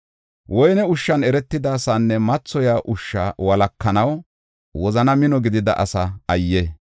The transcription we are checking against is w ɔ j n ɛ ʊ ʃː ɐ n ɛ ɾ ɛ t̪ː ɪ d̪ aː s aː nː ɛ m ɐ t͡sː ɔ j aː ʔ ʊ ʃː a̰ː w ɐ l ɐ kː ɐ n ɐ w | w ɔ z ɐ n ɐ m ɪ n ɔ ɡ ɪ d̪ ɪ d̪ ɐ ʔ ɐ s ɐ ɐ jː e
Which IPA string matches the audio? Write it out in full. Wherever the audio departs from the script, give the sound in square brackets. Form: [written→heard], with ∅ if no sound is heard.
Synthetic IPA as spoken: w ɔ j n ɛ ʊ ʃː ɐ n ɛ ɾ ɛ t̪ː ɪ d̪ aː s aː nː ɛ m ɐ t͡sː ɔ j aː ʔ ʊ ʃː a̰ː w ɐ l ɐ kː ɐ n ɐ w | w ɔ z ɐ n ɐ m ɪ n ɔ ɡ ɪ d̪ ɪ d̪ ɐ ʔ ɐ s ɐ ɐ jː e